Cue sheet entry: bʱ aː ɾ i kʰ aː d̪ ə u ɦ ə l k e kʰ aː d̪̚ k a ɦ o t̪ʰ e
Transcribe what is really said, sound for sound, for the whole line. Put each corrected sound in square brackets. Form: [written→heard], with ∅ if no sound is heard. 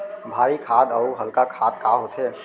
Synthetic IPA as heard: bʱ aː ɾ i kʰ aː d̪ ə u ɦ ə l k [e→a] kʰ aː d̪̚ k a ɦ o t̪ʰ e